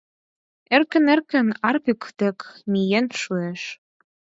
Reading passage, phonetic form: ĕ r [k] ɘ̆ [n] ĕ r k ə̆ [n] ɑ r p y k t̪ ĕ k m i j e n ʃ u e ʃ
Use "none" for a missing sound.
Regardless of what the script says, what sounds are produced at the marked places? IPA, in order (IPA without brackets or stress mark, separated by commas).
k, n, n